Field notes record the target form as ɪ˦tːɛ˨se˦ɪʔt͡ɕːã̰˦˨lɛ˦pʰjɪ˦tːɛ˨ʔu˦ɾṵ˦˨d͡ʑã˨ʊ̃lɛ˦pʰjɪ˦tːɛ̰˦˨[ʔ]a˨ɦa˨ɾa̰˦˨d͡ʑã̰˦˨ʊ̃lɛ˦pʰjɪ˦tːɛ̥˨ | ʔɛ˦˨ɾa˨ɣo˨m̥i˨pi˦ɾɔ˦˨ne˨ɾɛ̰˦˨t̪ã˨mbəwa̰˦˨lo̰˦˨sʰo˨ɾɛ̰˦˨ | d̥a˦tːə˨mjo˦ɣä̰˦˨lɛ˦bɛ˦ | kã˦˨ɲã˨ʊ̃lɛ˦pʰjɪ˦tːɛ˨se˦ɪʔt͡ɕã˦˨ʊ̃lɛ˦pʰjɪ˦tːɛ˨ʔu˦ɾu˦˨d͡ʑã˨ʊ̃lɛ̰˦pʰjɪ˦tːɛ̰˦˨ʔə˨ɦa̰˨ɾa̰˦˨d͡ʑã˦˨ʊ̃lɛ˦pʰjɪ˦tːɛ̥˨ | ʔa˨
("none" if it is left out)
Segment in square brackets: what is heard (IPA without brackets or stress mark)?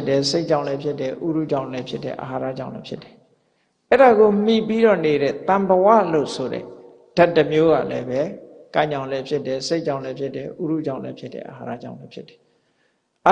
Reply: ʔ